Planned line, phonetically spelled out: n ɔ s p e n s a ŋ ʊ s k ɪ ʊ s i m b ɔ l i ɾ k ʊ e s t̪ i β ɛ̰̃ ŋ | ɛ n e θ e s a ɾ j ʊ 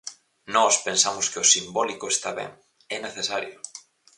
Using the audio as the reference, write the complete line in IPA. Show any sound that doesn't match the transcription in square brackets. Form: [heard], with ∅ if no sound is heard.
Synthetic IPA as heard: n ɔ s p e n s a [m] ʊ s k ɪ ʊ s i m b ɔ l i [∅] k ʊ e s t̪ [a] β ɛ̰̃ ŋ | ɛ n e θ e s a ɾ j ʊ

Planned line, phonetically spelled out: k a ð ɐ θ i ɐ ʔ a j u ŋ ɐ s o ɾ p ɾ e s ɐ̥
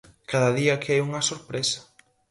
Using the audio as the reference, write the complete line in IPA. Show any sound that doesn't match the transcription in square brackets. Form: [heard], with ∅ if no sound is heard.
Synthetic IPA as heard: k a ð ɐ [ð] i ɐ [k] a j u ŋ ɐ s o ɾ p ɾ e s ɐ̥

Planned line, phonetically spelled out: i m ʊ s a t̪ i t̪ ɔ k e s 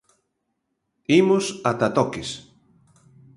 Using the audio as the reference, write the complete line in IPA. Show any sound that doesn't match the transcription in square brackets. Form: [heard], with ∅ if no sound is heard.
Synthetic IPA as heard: i m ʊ s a t̪ [a] t̪ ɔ k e s

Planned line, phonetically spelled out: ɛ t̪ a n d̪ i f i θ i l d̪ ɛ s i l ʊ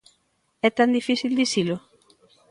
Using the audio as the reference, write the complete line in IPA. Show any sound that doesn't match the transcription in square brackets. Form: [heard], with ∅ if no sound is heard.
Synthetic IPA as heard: ɛ t̪ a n d̪ i f i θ i l d̪ [i] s i l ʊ

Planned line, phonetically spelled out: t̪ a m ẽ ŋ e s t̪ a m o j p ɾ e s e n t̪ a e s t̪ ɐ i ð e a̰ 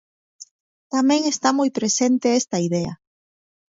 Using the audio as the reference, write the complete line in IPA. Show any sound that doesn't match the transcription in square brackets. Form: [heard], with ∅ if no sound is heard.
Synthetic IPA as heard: t̪ a m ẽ ŋ e s t̪ a m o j p ɾ e s e n t̪ [e] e s t̪ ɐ i ð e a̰

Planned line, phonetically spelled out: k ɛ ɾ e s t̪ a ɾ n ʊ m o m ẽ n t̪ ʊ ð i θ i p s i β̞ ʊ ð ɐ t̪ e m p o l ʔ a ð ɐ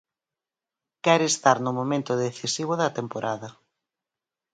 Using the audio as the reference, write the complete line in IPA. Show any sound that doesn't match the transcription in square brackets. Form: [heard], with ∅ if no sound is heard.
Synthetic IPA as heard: k ɛ ɾ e s t̪ a ɾ n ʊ m o m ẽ n t̪ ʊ ð [e] θ i [∅] s i β̞ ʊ ð ɐ t̪ e m p o [ɾ] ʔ a ð ɐ

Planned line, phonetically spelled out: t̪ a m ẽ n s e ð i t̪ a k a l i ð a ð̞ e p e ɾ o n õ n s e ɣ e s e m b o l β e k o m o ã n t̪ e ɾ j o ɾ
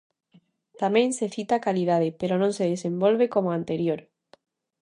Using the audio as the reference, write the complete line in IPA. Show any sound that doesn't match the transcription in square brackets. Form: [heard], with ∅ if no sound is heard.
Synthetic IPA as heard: t̪ a m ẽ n s e [θ] i t̪ a k a l i ð a ð̞ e p e ɾ o n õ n s e [ð] e s e m b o l β e k o m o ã n t̪ e ɾ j o ɾ

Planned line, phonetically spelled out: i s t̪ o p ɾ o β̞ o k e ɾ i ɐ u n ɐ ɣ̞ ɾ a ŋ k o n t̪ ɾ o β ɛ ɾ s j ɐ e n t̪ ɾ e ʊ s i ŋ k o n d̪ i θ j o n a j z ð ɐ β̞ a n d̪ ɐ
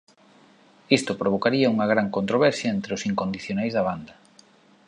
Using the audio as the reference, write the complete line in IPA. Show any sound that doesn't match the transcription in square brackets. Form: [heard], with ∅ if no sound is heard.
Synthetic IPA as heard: i s t̪ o p ɾ o β̞ o k [a] ɾ i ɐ u [ŋ] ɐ ɣ̞ ɾ a ŋ k o n t̪ ɾ o β ɛ ɾ s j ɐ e n t̪ ɾ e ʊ s i ŋ k o n d̪ i θ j o n a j z ð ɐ β̞ a n d̪ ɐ

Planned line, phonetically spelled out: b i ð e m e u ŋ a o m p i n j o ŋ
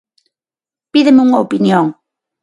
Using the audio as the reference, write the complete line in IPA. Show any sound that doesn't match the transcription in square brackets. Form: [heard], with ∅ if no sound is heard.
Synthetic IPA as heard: [p] i ð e m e u ŋ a o [∅] p i n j o ŋ

